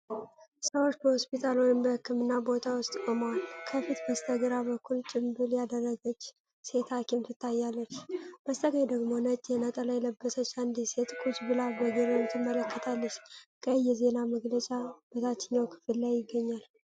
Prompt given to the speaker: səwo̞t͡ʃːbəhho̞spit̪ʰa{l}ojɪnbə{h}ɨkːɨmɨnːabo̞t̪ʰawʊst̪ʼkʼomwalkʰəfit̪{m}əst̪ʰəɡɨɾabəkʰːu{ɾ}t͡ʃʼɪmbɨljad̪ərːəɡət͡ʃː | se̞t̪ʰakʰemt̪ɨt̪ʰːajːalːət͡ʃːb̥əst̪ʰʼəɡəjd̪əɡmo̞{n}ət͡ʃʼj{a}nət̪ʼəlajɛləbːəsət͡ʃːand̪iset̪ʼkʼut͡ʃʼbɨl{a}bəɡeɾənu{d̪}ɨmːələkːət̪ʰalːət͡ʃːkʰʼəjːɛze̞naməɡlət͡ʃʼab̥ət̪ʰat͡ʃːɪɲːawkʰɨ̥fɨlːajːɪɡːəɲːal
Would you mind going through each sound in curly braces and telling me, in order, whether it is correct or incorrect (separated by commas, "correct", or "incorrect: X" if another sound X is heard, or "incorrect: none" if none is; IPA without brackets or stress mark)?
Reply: correct, correct, incorrect: b, incorrect: l, correct, incorrect: ɛ, correct, incorrect: t̪